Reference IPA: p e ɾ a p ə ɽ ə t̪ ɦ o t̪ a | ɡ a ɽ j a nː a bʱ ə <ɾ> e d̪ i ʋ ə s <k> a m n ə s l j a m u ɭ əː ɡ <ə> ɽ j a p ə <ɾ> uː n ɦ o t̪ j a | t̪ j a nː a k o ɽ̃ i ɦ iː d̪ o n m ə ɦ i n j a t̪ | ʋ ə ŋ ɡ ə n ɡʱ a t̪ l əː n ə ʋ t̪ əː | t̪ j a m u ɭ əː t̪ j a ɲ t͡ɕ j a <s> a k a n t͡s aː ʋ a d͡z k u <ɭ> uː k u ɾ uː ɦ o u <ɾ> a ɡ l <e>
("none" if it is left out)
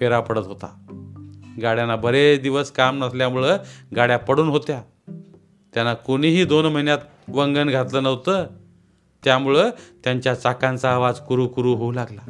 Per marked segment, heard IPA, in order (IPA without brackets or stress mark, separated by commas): ɾ, k, a, ɽ, t͡s, ɾ, l, a